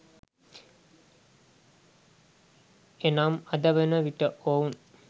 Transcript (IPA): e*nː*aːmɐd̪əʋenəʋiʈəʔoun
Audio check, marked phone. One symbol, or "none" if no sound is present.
n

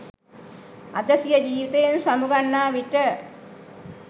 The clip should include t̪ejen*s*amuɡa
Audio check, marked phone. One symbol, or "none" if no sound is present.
s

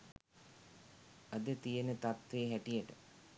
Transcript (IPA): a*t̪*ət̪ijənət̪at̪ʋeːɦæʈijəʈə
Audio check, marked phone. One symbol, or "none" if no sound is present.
d̪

